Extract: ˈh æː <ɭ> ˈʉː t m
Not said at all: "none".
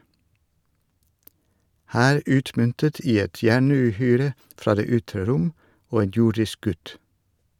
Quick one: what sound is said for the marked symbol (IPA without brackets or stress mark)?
ɾ